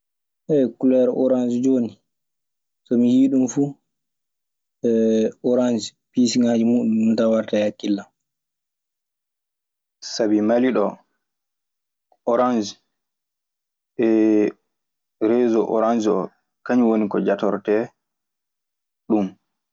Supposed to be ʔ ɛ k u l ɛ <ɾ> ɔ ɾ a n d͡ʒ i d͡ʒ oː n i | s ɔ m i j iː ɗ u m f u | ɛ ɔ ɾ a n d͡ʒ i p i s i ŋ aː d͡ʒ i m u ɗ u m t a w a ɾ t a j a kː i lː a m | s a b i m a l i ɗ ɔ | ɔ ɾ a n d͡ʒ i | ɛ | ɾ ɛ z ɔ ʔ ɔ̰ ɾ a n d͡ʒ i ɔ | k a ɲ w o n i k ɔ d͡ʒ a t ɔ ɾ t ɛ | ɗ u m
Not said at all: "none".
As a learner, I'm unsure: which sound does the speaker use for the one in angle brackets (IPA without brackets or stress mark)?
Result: ɾ